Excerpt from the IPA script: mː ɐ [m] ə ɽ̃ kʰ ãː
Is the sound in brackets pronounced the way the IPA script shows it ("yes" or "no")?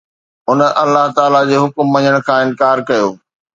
no